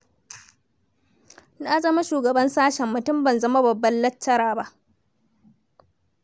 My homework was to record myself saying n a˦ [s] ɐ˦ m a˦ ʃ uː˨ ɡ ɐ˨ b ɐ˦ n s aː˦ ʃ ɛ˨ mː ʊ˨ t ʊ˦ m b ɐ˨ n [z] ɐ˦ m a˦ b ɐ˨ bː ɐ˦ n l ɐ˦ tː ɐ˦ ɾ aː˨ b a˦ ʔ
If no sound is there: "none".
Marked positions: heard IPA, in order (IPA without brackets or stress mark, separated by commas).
z, z